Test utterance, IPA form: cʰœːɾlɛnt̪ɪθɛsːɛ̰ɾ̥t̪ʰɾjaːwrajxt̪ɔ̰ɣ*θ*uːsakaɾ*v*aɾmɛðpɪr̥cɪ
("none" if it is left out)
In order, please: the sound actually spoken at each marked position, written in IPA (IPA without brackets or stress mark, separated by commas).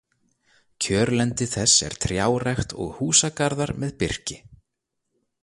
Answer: h, ð